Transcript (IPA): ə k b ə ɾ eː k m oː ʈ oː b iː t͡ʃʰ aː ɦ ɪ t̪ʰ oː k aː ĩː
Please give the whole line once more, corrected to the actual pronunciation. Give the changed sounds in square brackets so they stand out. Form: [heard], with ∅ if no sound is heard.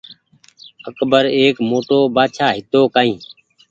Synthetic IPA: ə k b ə ɾ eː k m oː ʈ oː b [aː] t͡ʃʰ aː ɦ ɪ [t̪] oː k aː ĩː